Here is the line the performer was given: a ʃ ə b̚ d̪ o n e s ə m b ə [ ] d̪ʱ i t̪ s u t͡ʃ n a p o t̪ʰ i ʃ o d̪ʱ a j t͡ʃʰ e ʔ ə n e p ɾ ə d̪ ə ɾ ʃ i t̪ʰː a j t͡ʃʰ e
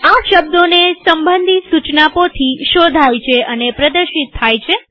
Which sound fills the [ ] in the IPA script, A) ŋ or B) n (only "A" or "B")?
B